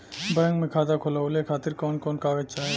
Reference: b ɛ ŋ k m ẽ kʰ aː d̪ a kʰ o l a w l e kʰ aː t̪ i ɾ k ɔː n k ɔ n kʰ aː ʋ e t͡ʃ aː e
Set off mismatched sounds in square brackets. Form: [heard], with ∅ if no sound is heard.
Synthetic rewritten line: b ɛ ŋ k m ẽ kʰ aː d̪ a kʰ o l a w l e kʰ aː t̪ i ɾ k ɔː n k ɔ n [k] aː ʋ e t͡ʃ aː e